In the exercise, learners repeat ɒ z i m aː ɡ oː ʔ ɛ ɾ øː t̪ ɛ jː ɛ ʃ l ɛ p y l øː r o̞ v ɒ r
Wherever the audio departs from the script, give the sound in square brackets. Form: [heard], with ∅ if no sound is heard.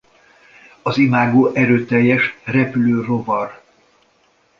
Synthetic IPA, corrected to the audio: ɒ z i m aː ɡ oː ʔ ɛ ɾ øː t̪ ɛ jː ɛ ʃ [r] ɛ p y l øː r o̞ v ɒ r

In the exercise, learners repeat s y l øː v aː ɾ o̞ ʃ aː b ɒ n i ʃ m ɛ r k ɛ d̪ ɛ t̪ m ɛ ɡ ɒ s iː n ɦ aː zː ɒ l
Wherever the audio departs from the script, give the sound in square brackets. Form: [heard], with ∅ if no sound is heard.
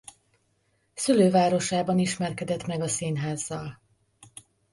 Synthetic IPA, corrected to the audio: s y l øː v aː ɾ o̞ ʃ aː b ɒ n i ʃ m ɛ r k ɛ d̪ ɛ t̪ m ɛ ɡ ɒ s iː n ɦ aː zː ɒ l

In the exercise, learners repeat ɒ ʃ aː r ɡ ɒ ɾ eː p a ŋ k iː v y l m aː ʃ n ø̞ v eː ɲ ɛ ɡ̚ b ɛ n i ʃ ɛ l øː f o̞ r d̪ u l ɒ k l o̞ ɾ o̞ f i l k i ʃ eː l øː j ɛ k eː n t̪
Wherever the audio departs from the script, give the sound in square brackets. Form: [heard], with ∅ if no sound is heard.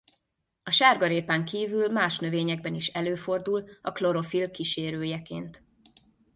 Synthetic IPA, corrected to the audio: ɒ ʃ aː r ɡ ɒ ɾ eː p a ŋ k iː v y l m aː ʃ n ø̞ v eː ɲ ɛ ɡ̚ b ɛ n i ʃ ɛ l øː f o̞ r d̪ u l ɒ k l o̞ ɾ o̞ f i l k i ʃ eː [ɾ] øː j ɛ k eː n t̪

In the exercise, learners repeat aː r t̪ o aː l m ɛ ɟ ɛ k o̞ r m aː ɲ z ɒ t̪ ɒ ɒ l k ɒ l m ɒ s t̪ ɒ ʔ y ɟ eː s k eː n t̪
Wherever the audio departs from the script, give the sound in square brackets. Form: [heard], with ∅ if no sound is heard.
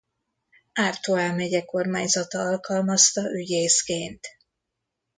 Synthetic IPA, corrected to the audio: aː r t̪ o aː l m ɛ ɟ ɛ k o̞ r m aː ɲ z ɒ t̪ ɒ ɒ l k ɒ l m ɒ s t̪ ɒ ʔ y ɟ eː s k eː n t̪

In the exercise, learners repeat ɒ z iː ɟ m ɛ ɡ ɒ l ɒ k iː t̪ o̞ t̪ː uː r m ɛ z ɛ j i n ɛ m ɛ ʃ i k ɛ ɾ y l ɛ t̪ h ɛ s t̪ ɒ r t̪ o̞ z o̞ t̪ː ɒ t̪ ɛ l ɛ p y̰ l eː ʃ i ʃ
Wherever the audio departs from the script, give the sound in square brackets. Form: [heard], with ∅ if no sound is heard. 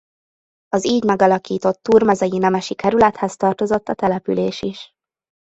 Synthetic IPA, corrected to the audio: ɒ z iː ɟ m ɛ ɡ ɒ l ɒ k iː t̪ o̞ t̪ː uː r m ɛ z ɛ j i n ɛ m ɛ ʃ i k ɛ ɾ y l ɛ t̪ h ɛ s t̪ ɒ r t̪ o̞ z o̞ t̪ː ɒ t̪ ɛ l ɛ p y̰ l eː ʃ i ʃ

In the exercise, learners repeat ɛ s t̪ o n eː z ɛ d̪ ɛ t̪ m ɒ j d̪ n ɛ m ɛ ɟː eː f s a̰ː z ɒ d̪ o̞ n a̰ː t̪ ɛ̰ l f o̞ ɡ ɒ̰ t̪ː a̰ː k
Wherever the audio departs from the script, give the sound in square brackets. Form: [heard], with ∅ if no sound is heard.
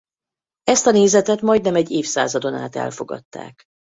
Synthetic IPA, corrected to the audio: ɛ s t̪ [ɒ] n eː z ɛ [t̪] ɛ t̪ m ɒ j d̪ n ɛ m ɛ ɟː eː f s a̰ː z ɒ d̪ o̞ n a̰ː t̪ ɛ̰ l f o̞ ɡ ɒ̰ t̪ː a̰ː k

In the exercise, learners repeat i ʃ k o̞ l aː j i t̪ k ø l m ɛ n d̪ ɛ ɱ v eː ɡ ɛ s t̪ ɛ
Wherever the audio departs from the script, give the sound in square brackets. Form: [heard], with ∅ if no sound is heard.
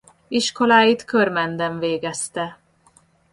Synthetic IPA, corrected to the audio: i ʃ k o̞ l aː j i t̪ k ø [r] m ɛ n d̪ ɛ ɱ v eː ɡ ɛ s t̪ ɛ

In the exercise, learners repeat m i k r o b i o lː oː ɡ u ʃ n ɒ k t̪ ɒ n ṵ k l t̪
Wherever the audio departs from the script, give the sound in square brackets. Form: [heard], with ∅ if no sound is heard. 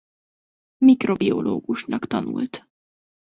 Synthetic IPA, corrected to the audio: m i k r o b i o [l] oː ɡ u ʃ n ɒ k t̪ ɒ n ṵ [∅] l t̪

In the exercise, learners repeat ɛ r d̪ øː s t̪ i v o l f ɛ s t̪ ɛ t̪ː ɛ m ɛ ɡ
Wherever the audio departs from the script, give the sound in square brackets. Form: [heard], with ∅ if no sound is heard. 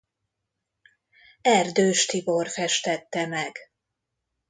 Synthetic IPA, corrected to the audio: ɛ r d̪ øː [ʃ] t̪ i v o [r] f ɛ [ʃ] t̪ ɛ t̪ː ɛ m ɛ ɡ

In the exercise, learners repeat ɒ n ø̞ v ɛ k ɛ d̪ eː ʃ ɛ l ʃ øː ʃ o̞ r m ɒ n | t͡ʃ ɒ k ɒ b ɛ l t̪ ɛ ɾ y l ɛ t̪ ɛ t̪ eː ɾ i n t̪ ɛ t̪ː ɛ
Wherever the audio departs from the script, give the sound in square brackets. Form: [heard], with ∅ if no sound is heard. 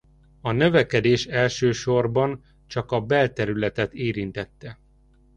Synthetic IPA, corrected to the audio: ɒ n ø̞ v ɛ k ɛ d̪ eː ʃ ɛ l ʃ øː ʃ o̞ r [b] ɒ n | t͡ʃ ɒ k ɒ b ɛ l t̪ ɛ ɾ y l ɛ t̪ ɛ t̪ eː ɾ i n t̪ ɛ t̪ː ɛ

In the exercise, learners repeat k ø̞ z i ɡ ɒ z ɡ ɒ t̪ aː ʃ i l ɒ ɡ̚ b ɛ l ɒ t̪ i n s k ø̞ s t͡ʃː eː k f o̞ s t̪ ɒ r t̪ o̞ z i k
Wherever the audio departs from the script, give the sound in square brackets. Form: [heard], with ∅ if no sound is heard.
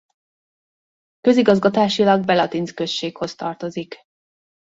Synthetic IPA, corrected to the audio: k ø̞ z i ɡ ɒ z ɡ ɒ t̪ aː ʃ i l ɒ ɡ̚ b ɛ l ɒ t̪ i n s k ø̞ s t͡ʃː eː k [h] o̞ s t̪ ɒ r t̪ o̞ z i k

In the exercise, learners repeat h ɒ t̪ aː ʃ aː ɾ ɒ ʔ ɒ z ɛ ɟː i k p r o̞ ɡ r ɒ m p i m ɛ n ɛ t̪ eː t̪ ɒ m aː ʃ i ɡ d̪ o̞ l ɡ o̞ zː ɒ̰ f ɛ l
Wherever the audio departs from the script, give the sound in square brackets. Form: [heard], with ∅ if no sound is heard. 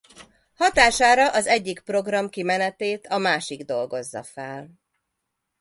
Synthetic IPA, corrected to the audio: h ɒ t̪ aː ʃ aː ɾ ɒ ʔ ɒ z ɛ ɟː i k p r o̞ ɡ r ɒ m [k] i m ɛ n ɛ t̪ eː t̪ ɒ m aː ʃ i ɡ d̪ o̞ l ɡ o̞ zː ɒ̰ f ɛ l

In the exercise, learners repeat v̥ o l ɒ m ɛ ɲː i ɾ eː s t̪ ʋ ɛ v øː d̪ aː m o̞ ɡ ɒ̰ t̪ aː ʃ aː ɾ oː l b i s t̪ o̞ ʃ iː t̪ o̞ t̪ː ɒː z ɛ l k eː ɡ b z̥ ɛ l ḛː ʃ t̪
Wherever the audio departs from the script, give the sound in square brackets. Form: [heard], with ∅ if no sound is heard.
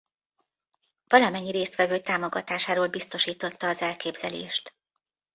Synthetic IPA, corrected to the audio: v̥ [ɒ] l ɒ m ɛ ɲː i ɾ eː s t̪ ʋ ɛ v øː [t̪] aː m o̞ ɡ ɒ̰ t̪ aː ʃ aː ɾ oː l b i s t̪ o̞ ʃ iː t̪ o̞ t̪ː ɒː z ɛ l k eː [∅] b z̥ ɛ l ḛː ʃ t̪

